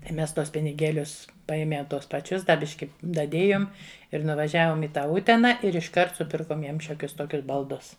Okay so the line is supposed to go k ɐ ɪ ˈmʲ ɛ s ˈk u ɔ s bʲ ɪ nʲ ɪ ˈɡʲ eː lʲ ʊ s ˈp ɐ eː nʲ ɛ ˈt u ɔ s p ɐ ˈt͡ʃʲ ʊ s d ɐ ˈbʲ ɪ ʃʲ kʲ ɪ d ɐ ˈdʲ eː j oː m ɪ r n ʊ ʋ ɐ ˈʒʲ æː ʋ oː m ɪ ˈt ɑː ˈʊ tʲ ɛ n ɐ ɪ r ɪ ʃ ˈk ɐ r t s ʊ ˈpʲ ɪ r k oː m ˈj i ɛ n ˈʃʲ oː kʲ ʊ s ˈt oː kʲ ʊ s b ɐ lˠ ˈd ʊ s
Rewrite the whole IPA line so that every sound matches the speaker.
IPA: t ɐ ɪ ˈmʲ ɛ s ˈt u ɔ s pʲ ɪ nʲ ɪ ˈɡʲ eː lʲ ʊ s ˈp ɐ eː mʲ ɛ ˈt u ɔ s p ɐ ˈt͡ʃʲ ʊ s d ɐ ˈbʲ ɪ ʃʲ kʲ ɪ d ɐ ˈdʲ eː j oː m ɪ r n ʊ ʋ ɐ ˈʒʲ æː ʋ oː m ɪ ˈt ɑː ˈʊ tʲ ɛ n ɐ ɪ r ɪ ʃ ˈk ɐ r t s ʊ ˈpʲ ɪ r k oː m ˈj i ɛ m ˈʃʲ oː kʲ ʊ s ˈt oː kʲ ʊ s b ɐ lˠ ˈd ʊ s